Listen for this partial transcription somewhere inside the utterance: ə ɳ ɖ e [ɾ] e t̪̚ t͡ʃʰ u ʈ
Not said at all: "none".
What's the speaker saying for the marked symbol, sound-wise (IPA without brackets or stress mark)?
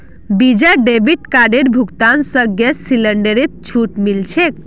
ɾ